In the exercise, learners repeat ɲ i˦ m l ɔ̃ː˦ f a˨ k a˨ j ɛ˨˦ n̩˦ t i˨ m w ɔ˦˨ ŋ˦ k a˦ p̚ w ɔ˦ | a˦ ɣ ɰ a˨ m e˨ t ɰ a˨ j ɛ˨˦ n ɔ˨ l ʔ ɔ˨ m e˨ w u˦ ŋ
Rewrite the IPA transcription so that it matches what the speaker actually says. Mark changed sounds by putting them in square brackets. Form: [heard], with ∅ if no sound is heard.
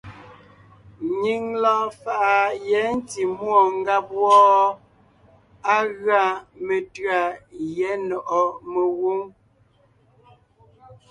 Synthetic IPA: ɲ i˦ [ŋ] l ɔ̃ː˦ f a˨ [ʔ] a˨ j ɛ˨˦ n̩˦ t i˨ m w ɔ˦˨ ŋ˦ [ɡ] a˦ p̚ w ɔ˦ | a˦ ɣ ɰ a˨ m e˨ t ɰ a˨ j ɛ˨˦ n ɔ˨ [∅] ʔ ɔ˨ m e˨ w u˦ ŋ